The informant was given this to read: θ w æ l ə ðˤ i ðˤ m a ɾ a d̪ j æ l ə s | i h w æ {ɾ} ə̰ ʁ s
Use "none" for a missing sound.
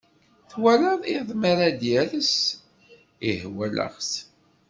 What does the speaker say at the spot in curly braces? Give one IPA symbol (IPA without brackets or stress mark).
l